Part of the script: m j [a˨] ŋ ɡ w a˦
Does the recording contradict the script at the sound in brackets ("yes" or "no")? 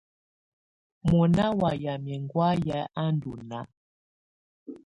yes